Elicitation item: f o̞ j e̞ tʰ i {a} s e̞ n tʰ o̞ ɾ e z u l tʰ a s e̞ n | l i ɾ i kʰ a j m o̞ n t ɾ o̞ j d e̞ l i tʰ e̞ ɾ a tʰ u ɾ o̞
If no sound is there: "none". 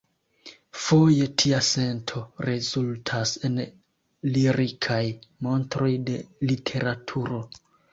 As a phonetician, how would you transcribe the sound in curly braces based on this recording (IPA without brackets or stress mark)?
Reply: a